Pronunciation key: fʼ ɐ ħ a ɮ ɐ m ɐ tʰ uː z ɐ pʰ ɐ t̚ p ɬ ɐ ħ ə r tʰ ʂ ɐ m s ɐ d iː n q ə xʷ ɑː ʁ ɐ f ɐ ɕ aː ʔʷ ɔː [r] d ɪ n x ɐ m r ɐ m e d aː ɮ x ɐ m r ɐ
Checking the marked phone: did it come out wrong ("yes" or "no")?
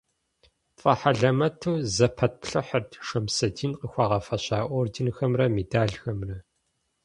no